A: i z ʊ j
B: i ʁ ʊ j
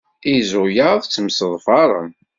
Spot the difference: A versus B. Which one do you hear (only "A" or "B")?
A